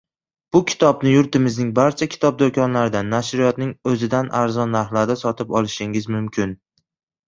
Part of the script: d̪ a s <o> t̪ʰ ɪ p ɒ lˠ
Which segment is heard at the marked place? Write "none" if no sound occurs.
ɒ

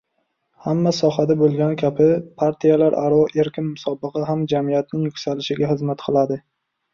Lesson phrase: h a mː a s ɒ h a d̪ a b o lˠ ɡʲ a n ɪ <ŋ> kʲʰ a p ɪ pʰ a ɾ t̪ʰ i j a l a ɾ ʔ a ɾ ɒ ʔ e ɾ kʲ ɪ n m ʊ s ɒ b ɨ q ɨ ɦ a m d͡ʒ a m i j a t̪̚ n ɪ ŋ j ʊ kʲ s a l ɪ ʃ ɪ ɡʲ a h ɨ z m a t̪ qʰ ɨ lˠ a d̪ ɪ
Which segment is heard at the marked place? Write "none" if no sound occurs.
none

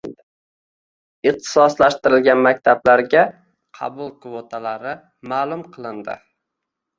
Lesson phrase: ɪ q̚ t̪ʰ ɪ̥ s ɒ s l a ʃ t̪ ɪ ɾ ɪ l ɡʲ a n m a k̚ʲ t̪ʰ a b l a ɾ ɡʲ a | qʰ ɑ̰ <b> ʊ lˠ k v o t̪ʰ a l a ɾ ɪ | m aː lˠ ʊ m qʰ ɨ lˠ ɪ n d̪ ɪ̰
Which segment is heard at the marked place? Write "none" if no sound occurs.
b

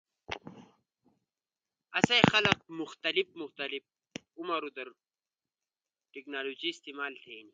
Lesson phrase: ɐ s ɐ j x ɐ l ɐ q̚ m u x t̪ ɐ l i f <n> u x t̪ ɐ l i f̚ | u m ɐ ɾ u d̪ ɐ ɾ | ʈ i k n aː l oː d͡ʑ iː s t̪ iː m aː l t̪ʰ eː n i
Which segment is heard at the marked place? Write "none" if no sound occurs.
m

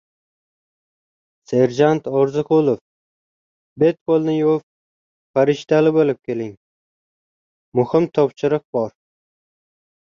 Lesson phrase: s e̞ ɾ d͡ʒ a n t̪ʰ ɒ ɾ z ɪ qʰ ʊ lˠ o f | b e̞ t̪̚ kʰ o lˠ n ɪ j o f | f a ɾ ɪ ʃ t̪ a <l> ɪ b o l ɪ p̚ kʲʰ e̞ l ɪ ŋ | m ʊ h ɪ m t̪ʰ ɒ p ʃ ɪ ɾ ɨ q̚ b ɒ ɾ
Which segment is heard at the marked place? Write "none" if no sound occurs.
l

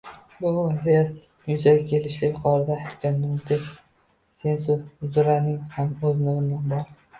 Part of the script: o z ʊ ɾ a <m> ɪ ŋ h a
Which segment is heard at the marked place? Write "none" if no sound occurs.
n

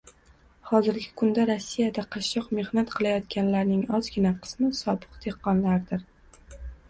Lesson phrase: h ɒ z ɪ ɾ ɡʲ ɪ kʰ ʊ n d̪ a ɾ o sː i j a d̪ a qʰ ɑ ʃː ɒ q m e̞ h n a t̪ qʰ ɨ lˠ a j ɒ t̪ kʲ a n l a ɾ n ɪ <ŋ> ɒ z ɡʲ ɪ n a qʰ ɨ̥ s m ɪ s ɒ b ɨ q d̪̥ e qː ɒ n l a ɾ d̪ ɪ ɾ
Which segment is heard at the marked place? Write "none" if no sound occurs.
ŋ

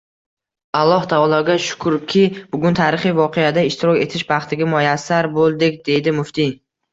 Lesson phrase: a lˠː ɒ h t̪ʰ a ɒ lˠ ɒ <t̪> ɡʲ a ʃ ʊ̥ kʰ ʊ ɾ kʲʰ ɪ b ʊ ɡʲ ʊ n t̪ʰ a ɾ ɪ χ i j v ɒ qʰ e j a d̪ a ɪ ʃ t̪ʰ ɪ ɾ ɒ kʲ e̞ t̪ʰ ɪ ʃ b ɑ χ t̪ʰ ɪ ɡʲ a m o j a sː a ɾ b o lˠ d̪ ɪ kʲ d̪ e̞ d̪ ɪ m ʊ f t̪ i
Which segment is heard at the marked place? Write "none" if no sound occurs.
none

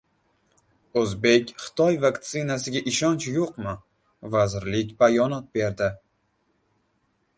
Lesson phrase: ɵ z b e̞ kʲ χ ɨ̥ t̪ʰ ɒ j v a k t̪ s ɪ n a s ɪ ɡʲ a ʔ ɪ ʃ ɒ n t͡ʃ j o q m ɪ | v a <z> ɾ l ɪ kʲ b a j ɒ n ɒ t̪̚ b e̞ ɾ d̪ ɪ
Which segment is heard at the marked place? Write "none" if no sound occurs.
z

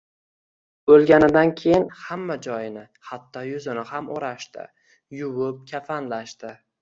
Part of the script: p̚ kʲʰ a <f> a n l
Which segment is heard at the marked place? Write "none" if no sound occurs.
f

